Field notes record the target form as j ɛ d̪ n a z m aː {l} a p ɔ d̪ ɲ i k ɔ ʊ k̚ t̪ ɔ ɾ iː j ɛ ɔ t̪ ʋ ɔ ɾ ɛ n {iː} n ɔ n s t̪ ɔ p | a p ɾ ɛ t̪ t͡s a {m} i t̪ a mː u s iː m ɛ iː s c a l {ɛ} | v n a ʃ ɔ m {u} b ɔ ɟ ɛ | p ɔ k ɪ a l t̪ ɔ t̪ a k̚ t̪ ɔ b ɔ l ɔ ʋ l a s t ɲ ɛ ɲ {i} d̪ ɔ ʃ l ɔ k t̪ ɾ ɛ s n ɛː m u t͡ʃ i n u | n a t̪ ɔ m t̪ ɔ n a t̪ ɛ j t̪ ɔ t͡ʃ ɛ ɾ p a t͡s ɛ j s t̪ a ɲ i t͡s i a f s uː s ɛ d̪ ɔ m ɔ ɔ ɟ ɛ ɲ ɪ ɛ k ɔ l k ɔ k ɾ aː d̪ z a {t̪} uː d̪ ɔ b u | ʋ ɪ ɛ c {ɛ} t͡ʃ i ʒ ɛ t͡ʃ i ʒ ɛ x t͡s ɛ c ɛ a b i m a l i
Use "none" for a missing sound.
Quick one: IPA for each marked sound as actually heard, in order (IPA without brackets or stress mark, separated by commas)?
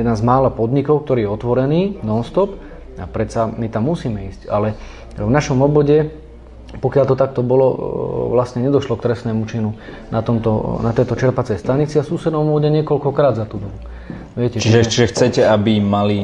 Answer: l, iː, m, ɛ, ɔ, ɛ, t̪, ɛ